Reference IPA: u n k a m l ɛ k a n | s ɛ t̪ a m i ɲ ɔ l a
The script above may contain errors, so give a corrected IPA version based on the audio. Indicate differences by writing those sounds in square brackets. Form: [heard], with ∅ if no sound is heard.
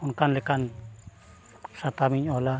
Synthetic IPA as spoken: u n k a [n] l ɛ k a n | s [a] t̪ a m i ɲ ɔ l a